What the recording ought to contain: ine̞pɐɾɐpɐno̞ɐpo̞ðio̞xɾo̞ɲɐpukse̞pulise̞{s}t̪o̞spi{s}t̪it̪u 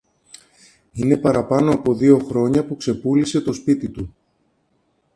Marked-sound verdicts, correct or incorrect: incorrect: none, incorrect: none

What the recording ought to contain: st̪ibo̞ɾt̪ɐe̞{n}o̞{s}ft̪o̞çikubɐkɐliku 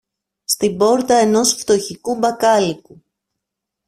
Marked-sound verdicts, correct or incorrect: correct, correct

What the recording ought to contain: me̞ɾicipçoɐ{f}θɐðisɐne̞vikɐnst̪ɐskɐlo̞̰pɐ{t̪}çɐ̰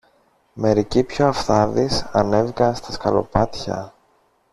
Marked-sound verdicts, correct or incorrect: correct, correct

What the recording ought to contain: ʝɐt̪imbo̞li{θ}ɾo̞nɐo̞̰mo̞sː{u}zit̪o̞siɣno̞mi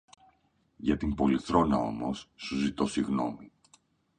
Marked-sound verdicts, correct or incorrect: correct, correct

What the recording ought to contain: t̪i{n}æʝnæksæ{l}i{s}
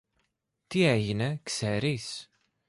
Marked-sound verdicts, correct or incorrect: incorrect: none, incorrect: ɾ, correct

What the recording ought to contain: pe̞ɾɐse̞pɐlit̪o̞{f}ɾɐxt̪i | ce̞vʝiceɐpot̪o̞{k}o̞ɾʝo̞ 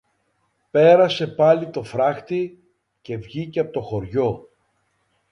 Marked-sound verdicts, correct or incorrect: correct, incorrect: x

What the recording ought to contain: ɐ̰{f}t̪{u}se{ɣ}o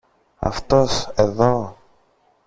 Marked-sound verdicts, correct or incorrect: correct, incorrect: o, incorrect: ð

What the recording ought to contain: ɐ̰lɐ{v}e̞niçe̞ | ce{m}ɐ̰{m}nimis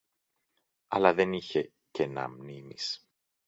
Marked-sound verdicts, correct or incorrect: incorrect: ð, incorrect: n, correct

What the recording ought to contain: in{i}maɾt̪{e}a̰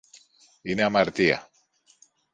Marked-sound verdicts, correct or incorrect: incorrect: a, incorrect: i

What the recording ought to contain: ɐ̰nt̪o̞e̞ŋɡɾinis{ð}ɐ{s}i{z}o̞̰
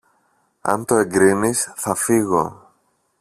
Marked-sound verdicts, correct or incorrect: incorrect: θ, incorrect: f, incorrect: ɣ

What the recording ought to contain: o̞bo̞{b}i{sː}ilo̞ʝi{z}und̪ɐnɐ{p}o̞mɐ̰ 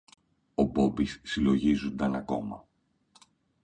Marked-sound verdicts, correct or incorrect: correct, correct, correct, incorrect: k

